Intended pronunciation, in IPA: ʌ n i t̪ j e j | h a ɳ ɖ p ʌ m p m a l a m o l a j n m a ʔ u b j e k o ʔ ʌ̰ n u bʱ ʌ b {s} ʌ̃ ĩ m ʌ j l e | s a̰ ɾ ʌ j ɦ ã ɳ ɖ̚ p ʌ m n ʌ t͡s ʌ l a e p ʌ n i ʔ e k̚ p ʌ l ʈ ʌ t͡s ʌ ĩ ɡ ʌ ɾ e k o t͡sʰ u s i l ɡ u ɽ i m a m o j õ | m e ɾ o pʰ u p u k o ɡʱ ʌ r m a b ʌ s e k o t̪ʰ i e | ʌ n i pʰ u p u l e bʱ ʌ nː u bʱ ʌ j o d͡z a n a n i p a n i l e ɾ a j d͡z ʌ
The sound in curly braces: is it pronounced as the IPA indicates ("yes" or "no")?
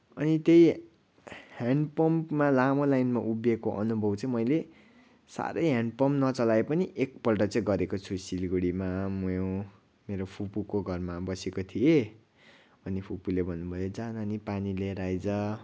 no